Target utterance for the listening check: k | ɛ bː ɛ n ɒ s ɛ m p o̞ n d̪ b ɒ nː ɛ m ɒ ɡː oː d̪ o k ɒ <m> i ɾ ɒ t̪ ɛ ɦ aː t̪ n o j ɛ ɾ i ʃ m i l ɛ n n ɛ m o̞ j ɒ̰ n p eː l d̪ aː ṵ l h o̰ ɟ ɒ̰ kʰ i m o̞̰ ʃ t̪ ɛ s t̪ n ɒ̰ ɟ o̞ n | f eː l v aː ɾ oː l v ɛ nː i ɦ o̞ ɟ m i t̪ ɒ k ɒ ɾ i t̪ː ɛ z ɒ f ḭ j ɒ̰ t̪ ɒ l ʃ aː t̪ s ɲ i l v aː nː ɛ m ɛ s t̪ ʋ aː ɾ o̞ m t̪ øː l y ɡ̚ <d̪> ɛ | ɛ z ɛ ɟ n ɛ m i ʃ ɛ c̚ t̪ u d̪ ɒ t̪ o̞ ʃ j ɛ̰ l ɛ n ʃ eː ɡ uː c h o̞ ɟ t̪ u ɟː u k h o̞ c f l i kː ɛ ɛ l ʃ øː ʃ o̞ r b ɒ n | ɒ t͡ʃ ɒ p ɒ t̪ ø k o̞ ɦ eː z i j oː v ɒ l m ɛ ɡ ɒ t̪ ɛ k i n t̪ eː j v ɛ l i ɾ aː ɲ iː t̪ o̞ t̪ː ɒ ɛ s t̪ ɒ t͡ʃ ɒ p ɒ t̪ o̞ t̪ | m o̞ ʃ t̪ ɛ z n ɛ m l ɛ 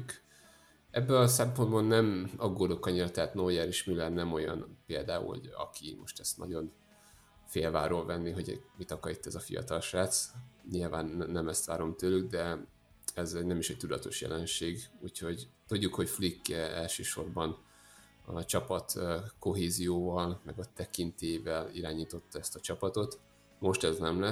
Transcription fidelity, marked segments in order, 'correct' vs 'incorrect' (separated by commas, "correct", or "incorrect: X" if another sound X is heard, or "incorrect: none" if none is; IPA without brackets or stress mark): incorrect: ɲ, correct